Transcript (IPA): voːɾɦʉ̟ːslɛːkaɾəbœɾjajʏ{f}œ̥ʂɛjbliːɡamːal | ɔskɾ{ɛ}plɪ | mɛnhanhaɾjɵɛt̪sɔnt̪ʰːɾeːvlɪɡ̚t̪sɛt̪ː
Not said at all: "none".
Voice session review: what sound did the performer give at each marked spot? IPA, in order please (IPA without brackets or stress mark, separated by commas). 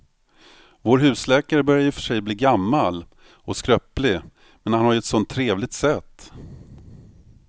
f, œ